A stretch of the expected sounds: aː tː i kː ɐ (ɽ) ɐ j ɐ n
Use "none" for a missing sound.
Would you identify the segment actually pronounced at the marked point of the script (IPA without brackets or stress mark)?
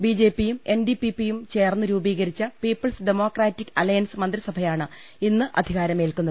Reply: l